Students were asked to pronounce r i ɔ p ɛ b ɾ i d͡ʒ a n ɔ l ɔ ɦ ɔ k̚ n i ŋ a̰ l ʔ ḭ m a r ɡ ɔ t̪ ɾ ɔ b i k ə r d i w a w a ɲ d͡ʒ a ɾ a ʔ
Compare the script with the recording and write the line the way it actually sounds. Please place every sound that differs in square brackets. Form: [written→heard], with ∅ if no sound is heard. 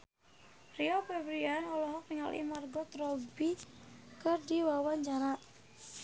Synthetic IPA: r i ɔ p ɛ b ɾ i [d͡ʒ→∅] a n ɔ l ɔ ɦ ɔ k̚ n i ŋ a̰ l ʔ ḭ m a r ɡ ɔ t̪ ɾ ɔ b i k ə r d i w a w a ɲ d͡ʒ a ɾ a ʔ